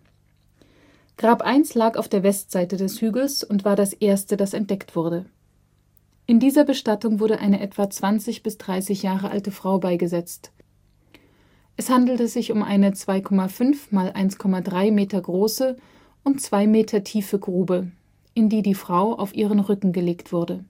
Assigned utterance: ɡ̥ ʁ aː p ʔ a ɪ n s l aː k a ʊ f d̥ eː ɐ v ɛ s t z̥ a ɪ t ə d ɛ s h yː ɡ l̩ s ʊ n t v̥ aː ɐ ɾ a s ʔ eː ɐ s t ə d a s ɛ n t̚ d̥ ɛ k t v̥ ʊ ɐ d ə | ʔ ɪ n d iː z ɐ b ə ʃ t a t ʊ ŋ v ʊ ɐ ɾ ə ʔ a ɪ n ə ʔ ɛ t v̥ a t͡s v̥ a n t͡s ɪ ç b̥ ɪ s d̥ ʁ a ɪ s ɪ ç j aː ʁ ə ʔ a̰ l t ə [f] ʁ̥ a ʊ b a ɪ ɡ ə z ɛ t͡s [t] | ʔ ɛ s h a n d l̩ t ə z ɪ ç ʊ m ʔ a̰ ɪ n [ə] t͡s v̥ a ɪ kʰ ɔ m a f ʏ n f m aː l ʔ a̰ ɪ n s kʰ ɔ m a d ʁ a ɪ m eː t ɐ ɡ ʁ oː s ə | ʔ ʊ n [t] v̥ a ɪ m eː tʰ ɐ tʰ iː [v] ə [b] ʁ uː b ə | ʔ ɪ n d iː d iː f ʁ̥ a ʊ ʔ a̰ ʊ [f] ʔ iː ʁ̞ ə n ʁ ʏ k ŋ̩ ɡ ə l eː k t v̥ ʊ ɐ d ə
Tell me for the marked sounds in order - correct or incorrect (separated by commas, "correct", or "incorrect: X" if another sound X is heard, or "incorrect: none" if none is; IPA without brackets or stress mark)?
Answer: correct, correct, correct, incorrect: t͡s, incorrect: f, incorrect: ɡ, correct